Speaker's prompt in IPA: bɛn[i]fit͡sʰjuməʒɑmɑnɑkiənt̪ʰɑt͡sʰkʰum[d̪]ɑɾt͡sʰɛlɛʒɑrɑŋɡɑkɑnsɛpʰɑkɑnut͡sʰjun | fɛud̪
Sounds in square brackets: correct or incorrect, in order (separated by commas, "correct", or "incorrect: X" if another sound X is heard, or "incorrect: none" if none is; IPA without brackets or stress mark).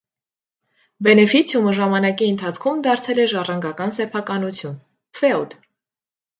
incorrect: ɛ, correct